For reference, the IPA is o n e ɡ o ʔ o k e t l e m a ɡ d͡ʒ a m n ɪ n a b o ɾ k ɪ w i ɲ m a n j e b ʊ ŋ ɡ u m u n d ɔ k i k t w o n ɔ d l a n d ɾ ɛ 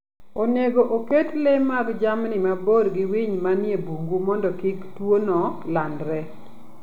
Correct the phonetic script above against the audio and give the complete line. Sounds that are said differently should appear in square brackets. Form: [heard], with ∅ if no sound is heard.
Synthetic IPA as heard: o n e ɡ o ʔ o k e t l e m a ɡ d͡ʒ a m n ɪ [m] a b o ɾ [ɡ] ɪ w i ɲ m a n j e b [u] ŋ ɡ u m [ɔ] n d ɔ k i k t w o n ɔ [∅] l a n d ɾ ɛ

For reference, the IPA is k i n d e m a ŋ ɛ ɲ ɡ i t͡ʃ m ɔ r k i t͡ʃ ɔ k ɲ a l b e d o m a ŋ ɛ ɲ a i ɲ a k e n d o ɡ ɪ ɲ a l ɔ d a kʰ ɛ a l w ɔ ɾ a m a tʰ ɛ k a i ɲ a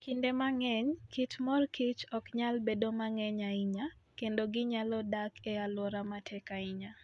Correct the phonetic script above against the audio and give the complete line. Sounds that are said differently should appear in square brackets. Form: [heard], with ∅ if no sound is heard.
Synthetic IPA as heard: k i n d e m a ŋ ɛ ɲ [k] i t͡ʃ m ɔ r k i t͡ʃ ɔ k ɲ a l b e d o m a ŋ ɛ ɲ a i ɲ a k e n d o ɡ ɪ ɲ a l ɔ d a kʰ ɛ a l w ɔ ɾ a m a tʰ ɛ k a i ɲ a

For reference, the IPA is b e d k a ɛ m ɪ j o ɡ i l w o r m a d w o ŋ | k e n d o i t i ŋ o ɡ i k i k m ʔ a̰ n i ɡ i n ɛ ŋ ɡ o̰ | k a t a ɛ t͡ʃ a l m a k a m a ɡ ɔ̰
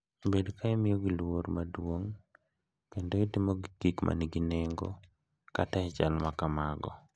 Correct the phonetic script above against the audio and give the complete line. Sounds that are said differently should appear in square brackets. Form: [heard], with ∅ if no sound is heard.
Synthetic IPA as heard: b e d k a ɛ m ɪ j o ɡ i l w o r m a d w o ŋ | k e n d o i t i [m] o ɡ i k i k m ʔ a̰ n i ɡ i n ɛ ŋ ɡ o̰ | k a t a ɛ t͡ʃ a l m a k a m a ɡ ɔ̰

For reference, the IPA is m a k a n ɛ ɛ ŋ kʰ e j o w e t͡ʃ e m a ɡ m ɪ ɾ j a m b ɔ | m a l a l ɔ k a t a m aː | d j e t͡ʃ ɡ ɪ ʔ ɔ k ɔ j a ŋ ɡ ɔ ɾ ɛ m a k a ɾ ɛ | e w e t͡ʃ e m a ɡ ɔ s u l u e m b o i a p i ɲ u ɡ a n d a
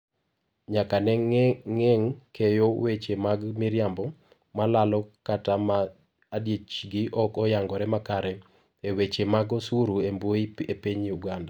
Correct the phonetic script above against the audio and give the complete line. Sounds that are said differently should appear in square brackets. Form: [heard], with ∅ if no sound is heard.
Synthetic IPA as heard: [ɲ] a k a n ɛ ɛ ŋ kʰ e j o w e t͡ʃ e m a ɡ m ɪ ɾ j a m b ɔ | m a l a l ɔ k a t a m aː | d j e t͡ʃ ɡ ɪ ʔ ɔ k ɔ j a ŋ ɡ ɔ ɾ ɛ m a k a ɾ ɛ | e w e t͡ʃ e m a ɡ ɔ s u [ɾ] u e m b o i [e] p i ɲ u ɡ a n d a

